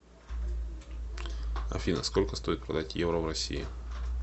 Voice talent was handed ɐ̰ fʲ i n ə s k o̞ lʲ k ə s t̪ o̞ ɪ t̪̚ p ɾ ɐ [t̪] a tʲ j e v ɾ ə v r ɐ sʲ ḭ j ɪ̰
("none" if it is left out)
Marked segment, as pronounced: d̪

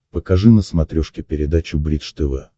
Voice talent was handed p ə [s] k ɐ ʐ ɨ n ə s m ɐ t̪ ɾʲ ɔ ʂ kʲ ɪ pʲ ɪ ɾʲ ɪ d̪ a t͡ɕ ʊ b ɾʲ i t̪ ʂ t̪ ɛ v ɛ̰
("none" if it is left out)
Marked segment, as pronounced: none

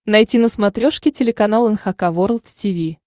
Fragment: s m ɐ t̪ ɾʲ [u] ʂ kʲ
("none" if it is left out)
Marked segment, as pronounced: o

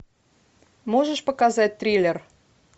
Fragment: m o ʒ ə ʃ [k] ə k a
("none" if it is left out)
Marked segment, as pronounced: p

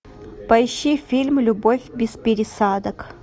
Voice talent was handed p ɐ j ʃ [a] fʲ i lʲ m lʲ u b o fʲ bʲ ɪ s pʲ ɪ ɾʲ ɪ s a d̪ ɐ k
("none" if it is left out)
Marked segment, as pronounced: i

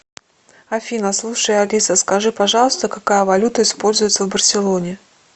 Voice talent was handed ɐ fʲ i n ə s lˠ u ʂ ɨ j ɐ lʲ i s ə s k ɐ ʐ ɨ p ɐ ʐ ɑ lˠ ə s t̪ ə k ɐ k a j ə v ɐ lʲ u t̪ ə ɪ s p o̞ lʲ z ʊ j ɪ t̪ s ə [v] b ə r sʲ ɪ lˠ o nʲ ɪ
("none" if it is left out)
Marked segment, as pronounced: v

